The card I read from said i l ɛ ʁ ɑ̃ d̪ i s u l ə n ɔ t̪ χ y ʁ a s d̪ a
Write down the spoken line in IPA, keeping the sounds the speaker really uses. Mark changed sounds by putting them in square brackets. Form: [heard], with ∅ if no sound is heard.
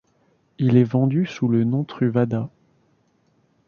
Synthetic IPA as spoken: i l ɛ [v] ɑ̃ d̪ [y] s u l ə n [ɔ̃] t̪ χ y [v] a [∅] d̪ a